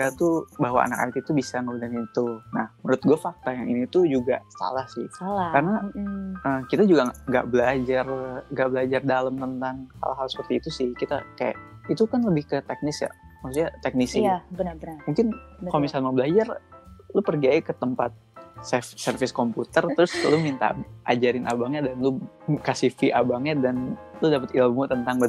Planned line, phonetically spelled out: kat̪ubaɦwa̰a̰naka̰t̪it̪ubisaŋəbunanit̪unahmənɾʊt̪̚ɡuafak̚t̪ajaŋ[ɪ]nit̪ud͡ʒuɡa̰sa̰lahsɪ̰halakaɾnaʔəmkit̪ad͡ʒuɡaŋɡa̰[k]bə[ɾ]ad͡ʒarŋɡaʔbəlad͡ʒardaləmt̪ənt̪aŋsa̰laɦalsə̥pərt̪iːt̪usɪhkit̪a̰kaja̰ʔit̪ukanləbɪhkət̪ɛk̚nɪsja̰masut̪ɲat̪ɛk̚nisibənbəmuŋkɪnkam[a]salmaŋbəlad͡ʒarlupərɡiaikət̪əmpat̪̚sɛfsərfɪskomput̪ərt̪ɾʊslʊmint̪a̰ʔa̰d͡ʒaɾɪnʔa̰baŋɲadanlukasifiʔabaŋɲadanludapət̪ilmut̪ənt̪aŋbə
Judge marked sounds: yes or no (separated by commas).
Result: no, no, no, no